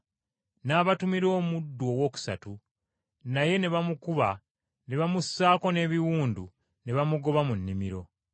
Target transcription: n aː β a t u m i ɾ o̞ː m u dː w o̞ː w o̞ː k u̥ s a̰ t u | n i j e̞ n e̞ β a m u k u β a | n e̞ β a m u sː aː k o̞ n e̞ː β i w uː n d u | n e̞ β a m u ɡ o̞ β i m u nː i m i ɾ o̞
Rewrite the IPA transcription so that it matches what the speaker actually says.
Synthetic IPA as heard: n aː β a t u m i ɾ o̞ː m u dː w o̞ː w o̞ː k u̥ s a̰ t u | n a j e̞ n e̞ β a m u k u β a | n e̞ β a m u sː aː k o̞ n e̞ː β i w uː n d u | n e̞ β a m u ɡ o̞ β a m u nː i m i ɾ o̞